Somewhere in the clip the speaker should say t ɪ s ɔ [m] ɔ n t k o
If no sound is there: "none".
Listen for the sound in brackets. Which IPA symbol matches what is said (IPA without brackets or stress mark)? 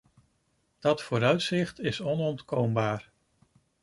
n